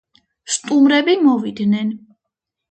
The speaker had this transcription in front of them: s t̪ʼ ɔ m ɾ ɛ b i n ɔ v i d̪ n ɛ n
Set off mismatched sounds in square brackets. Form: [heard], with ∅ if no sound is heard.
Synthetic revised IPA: s t̪ʼ [u] m ɾ ɛ b i [m] ɔ v i d̪ n ɛ n